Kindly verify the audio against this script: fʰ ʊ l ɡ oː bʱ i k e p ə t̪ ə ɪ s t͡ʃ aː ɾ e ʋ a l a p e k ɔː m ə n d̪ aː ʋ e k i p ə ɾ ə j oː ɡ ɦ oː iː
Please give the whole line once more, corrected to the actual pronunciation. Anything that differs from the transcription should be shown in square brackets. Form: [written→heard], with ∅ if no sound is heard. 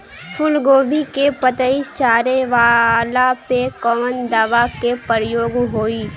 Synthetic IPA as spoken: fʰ ʊ l ɡ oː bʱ i k e p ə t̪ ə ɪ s t͡ʃ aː ɾ e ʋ a l a p e k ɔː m ə n d̪ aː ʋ [e→a] k [i→e] p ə ɾ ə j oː ɡ ɦ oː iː